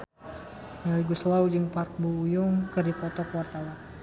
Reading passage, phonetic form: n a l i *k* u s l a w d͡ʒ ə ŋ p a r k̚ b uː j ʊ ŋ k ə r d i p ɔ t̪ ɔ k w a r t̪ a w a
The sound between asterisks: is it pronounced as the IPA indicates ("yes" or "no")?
no